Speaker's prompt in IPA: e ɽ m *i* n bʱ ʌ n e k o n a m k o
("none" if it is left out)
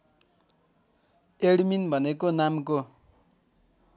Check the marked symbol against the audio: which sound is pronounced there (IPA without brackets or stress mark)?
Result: i